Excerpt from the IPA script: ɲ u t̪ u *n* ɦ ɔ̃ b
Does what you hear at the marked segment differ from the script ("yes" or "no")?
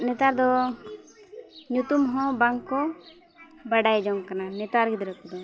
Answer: yes